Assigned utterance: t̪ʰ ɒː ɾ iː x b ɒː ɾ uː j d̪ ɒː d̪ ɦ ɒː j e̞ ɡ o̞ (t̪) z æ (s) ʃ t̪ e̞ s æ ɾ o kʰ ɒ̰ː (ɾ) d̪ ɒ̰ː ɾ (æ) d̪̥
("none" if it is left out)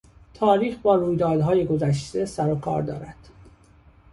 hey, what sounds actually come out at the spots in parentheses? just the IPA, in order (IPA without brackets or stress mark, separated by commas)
none, none, ɾ, æ